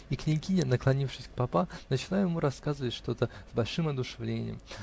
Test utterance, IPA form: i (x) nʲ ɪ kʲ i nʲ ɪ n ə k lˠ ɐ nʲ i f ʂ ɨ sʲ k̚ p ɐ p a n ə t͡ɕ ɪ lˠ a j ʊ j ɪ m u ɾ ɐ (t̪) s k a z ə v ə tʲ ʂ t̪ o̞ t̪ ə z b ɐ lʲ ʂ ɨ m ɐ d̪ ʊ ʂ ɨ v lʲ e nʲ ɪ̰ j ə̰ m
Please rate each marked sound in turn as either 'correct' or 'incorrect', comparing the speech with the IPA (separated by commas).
incorrect, incorrect